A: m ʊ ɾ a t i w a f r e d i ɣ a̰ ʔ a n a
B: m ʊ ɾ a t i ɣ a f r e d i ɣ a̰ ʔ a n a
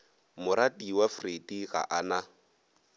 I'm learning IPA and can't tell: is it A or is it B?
A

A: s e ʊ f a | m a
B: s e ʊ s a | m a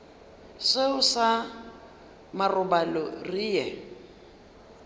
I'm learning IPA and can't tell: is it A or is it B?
B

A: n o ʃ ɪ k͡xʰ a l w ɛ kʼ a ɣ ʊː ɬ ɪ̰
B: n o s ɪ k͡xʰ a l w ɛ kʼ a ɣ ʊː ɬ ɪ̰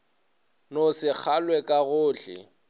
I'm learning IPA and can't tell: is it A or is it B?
B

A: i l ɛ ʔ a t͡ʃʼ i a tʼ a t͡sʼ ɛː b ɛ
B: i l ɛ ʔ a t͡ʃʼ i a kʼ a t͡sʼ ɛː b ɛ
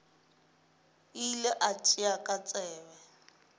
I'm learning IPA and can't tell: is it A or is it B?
B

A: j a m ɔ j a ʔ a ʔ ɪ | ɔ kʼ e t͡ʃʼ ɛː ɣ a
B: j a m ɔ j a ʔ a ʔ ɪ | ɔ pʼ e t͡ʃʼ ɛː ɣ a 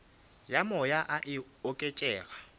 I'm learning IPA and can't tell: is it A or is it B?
A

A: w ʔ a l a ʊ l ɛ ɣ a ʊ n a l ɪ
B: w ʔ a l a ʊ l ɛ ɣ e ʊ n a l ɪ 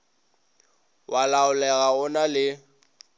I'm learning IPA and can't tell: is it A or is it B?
A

